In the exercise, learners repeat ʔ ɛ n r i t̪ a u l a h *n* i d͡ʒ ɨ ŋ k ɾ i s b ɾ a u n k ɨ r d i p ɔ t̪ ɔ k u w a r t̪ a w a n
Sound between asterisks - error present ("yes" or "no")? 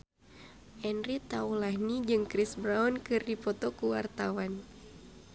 no